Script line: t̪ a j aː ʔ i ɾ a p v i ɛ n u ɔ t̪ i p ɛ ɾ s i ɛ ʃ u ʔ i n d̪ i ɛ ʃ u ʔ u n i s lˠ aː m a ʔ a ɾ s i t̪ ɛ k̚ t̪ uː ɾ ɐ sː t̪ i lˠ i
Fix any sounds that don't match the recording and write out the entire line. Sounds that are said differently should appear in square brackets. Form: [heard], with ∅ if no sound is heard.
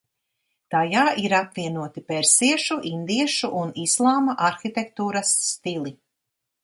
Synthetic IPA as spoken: t̪ a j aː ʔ i ɾ a p v i ɛ n u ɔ t̪ i p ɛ ɾ s i ɛ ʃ u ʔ i n d̪ i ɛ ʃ u ʔ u n i s lˠ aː m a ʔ a ɾ [x] i t̪ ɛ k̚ t̪ uː ɾ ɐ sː t̪ i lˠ i